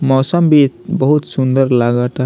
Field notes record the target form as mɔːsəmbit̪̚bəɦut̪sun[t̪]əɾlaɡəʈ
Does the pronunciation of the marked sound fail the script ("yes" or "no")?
yes